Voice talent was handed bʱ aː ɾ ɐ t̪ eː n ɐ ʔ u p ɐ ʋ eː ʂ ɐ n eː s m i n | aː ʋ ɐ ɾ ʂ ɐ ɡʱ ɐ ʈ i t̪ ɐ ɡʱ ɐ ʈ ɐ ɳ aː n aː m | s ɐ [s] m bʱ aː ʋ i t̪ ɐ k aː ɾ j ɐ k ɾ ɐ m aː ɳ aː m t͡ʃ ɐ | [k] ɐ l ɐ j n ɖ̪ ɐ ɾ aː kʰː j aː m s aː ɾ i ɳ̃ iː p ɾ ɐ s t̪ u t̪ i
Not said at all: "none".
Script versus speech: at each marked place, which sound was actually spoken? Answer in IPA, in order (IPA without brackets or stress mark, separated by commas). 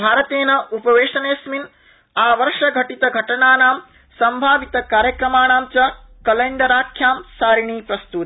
none, k